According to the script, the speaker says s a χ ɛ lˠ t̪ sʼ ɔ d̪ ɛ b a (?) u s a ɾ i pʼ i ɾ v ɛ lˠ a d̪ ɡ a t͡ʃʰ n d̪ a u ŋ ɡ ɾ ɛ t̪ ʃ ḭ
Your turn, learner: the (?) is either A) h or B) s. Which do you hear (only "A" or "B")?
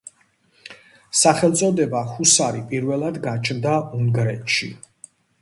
A